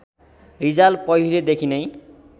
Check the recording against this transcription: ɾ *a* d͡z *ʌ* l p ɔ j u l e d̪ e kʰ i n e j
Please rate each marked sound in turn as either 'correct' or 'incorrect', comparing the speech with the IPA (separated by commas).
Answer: incorrect, incorrect